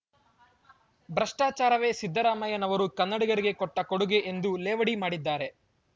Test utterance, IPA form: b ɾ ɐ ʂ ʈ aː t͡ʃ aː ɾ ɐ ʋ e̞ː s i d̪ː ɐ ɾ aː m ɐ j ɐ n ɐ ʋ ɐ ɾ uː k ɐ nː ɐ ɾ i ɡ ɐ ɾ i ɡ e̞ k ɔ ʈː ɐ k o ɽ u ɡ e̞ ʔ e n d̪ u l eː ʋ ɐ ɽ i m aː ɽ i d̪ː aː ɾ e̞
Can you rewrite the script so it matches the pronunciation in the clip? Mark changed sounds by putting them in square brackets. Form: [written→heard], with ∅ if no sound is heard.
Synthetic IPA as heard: b ɾ ɐ ʂ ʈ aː t͡ʃ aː ɾ ɐ ʋ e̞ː s i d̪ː ɐ ɾ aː m ɐ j ɐ n ɐ ʋ ɐ ɾ [uː→u] k ɐ nː ɐ [ɾ→ɽ] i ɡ ɐ ɾ i ɡ e̞ k ɔ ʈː ɐ k o ɽ u ɡ e̞ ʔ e n d̪ u l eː ʋ ɐ ɽ i m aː ɽ i d̪ː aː ɾ e̞